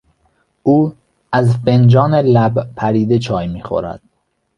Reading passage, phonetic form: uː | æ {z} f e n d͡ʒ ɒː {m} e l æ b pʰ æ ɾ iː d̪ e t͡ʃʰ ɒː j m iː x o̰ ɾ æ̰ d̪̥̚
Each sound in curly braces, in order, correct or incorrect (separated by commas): correct, incorrect